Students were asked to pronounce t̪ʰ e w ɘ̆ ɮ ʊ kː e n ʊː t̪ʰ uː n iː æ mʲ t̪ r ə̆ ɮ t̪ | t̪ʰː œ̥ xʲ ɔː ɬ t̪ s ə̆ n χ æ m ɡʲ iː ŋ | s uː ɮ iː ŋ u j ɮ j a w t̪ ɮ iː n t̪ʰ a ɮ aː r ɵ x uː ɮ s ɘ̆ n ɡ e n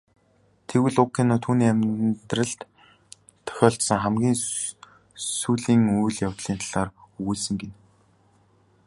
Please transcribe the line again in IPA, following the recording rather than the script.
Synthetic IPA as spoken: t̪ʰ e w ɘ̆ ɮ ʊ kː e n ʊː t̪ʰ uː n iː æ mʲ t̪ r ə̆ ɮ t̪ | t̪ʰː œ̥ xʲ ɔː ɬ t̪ s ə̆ ŋ χ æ m ɡʲ iː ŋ | s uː ɮ iː ŋ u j ɮ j a w t̪ ɮ iː n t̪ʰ a ɮ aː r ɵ ɣ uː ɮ s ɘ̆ ŋ ɡ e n

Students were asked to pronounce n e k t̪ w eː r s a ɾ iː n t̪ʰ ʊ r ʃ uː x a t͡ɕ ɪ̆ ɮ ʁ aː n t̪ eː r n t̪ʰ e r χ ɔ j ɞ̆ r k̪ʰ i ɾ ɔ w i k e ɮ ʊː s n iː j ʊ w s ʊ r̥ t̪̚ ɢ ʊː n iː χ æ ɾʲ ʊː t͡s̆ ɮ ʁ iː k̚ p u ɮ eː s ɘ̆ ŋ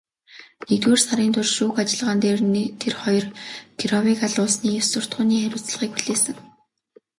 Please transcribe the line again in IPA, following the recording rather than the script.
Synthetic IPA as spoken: n e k t̪ w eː r s a ɾ iː n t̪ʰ ʊ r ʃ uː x a t͡ɕ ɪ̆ ɮ ʁ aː n t̪ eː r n t̪ʰ e r χ ɔ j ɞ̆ r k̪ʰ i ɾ ɔ w i k a ɮ ʊː s n iː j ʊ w s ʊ r̥ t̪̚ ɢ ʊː n iː χ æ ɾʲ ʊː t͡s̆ ɮ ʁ iː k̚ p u ɮ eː s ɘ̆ ŋ

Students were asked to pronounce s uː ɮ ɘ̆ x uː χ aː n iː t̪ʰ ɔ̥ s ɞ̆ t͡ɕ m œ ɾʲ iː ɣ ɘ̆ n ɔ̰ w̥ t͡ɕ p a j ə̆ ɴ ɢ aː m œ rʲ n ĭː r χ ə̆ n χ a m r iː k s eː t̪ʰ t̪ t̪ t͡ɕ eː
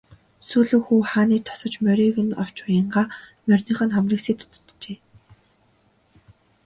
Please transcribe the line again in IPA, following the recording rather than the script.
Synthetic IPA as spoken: s uː ɮ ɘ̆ x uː χ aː n iː t̪ʰ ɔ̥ s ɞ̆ t͡ɕ m œ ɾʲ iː ɣ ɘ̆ n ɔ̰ w̥ t͡ɕ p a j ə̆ ɴ ɢ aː m œ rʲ n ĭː χ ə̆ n χ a m r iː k s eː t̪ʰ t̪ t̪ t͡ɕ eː

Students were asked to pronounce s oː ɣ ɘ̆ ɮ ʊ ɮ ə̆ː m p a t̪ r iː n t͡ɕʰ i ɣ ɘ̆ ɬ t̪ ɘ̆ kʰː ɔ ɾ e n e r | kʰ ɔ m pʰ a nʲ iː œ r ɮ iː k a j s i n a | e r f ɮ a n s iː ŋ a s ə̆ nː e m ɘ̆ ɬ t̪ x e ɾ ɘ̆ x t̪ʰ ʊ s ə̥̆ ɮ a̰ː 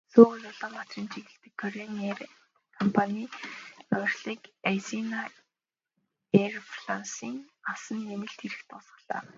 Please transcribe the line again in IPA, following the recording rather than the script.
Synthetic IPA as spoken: s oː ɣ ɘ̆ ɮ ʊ ɮ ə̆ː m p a t̪ r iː n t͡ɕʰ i ɣ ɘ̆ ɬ t̪ ɘ̆ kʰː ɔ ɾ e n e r | kʰ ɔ m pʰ a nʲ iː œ r ɮ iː k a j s i n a | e r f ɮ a n s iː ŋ a s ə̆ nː e m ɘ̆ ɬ t̪ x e ɾ ɘ̆ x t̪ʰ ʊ s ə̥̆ ɮ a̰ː

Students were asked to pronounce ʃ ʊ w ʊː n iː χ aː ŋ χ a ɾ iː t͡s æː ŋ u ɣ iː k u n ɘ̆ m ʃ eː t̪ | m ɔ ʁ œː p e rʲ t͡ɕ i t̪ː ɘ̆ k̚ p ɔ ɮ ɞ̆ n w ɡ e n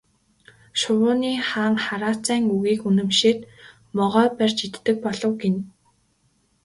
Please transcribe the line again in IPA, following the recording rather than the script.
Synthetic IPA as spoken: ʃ ʊ w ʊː n iː χ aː ŋ χ a ɾ aː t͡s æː ŋ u ɣ iː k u n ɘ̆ m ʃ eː t̪ | m ɔ ʁ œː p æ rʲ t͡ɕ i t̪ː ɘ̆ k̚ p ɔ ɮ ɞ̆ w ɡ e n

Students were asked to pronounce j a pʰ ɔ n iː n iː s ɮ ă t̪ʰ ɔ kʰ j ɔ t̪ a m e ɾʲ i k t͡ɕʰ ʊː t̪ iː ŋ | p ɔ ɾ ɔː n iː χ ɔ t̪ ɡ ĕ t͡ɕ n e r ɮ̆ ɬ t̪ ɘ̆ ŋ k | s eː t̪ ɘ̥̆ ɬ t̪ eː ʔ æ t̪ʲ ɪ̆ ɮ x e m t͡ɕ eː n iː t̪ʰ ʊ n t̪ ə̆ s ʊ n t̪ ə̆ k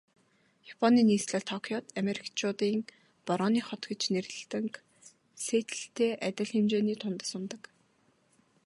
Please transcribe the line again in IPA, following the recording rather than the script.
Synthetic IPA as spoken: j a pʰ ɔ n iː n iː s ɮ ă t̪ʰ ɔ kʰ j ɔ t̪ a m e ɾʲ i k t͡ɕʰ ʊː t̪ iː ŋ | p ɔ ɾ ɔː n iː χ ɔ t̪ ɡ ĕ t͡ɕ n e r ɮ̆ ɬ t̪ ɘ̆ ŋ k | s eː t̪ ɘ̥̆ ɬ t̪ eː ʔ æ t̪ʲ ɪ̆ ɮ x e m t͡ɕ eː n iː t̪ʰ ʊ n t̪ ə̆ s ʊ n t̪ ə̆ k

